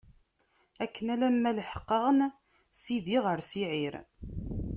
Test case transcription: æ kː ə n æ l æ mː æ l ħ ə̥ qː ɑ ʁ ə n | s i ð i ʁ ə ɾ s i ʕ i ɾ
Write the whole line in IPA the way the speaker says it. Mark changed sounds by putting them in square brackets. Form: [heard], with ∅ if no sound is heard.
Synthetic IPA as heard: æ kː ə n æ l æ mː æ l ħ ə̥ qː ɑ ʁ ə n | s i ð i ʁ ə ɾ s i ʕ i ɾ